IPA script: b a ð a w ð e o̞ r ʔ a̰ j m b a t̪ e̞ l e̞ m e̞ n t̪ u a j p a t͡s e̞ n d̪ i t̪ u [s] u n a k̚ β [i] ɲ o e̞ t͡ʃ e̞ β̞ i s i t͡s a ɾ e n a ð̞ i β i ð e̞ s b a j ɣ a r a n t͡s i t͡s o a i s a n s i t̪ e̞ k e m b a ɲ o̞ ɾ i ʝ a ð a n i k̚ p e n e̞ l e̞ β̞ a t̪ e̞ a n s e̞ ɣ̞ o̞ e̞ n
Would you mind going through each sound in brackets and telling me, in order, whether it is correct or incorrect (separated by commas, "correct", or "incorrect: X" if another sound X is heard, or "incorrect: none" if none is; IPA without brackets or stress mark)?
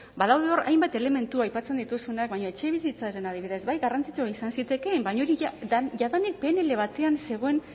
correct, incorrect: a